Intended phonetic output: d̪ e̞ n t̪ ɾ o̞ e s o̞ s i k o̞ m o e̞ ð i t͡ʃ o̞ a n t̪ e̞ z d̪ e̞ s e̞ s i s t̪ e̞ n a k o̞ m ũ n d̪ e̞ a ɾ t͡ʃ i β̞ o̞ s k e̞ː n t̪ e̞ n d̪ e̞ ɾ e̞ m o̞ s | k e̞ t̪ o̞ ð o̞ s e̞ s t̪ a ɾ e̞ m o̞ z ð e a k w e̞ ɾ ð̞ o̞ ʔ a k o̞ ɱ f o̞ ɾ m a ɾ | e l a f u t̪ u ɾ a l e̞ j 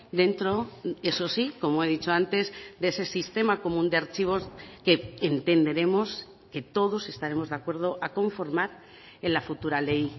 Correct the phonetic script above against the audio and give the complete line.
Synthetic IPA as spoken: d̪ e̞ n t̪ ɾ o̞ e s o̞ s i k o̞ m o e̞ ð i t͡ʃ o̞ a n t̪ e̞ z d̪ e̞ s e̞ s i s t̪ e̞ m a k o̞ m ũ n d̪ e̞ a ɾ t͡ʃ i β̞ o̞ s k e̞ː n t̪ e̞ n d̪ e̞ ɾ e̞ m o̞ s | k e̞ t̪ o̞ ð o̞ s e̞ s t̪ a ɾ e̞ m o̞ z ð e a k w e̞ ɾ ð̞ o̞ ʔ a k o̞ ɱ f o̞ ɾ m a ɾ | e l a f u t̪ u ɾ a l e̞ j